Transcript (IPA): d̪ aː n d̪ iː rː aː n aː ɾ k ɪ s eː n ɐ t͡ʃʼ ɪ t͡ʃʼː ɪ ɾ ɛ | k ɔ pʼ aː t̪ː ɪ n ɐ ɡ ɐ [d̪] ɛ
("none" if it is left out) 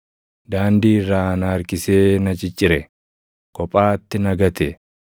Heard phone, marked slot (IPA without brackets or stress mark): t̪